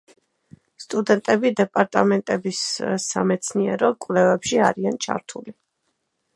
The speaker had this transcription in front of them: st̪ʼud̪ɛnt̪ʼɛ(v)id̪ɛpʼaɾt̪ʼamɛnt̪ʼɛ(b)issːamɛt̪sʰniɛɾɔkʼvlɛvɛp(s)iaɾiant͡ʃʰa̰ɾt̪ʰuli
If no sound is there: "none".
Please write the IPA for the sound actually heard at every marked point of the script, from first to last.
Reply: b, b, ʃ

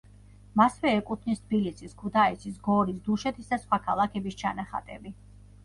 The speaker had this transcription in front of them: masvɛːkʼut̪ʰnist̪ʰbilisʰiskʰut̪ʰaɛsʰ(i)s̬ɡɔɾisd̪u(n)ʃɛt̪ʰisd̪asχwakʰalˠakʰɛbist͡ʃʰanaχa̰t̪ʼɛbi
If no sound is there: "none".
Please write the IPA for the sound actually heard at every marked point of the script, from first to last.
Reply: i, none

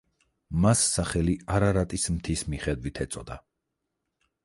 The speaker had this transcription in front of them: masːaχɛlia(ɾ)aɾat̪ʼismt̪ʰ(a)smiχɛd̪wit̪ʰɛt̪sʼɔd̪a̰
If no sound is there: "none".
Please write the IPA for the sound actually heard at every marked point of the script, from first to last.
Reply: ɾ, i

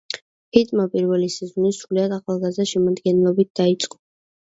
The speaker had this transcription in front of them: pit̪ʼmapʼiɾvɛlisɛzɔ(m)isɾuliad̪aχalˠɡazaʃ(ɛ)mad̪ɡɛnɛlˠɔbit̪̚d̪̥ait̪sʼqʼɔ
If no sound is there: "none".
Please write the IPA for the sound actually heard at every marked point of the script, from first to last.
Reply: n, ɛ

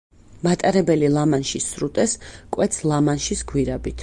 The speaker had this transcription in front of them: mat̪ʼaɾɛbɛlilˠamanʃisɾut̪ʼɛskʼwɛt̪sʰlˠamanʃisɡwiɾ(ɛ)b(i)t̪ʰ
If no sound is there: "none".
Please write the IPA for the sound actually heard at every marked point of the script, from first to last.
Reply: a, i

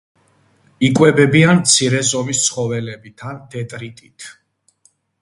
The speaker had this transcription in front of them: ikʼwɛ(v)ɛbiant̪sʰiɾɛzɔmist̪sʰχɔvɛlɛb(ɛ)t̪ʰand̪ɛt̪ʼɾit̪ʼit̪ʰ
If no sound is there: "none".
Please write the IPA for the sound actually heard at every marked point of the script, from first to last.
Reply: b, i

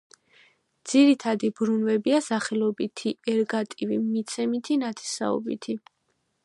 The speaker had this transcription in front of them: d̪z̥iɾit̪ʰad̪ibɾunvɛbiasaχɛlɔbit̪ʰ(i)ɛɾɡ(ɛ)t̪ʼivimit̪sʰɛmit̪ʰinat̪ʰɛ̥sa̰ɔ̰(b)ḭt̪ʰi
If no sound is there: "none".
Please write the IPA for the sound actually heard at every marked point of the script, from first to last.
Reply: i, a, b

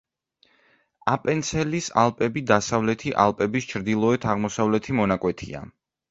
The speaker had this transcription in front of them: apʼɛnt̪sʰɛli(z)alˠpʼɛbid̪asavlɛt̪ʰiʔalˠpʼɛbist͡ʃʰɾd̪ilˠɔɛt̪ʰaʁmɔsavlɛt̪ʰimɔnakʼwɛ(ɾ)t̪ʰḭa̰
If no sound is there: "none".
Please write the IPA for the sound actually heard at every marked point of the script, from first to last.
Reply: s, none

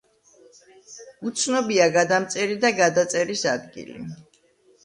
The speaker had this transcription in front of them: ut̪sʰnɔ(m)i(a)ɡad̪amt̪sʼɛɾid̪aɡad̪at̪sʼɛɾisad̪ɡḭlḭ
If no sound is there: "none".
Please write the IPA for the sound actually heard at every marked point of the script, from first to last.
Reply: b, a

